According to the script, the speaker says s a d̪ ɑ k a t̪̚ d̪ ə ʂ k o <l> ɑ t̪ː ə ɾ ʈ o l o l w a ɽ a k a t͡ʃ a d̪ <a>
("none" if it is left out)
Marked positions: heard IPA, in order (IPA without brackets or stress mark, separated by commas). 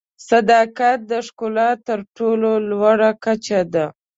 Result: l, a